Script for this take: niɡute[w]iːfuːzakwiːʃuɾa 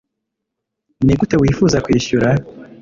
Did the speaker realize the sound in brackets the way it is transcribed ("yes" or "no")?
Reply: yes